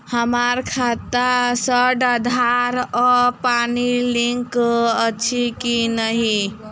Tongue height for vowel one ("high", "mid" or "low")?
mid